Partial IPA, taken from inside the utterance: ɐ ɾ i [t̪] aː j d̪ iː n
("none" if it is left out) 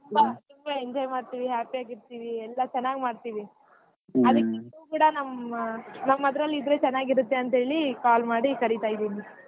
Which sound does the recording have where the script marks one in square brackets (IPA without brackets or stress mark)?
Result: t̪